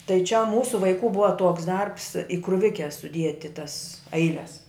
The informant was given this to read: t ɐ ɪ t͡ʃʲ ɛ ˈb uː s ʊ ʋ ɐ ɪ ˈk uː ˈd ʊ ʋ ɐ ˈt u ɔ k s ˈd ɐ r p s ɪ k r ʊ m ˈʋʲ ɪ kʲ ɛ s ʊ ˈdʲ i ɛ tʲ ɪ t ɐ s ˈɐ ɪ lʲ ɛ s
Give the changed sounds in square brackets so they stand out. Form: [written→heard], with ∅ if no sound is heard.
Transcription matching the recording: t ɐ ɪ t͡ʃʲ ɛ [ˈb→ˈm] uː s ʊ ʋ ɐ ɪ ˈk uː [ˈd→ˈb] ʊ ʋ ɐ ˈt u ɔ k s ˈd ɐ r p s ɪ k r ʊ [m→∅] ˈʋʲ ɪ kʲ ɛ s ʊ ˈdʲ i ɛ tʲ ɪ t ɐ s ˈɐ ɪ lʲ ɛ s